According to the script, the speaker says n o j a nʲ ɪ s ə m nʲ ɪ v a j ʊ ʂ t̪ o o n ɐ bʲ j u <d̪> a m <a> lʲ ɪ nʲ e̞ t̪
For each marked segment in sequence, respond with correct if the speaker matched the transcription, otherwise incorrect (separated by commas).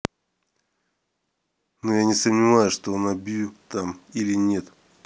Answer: incorrect, incorrect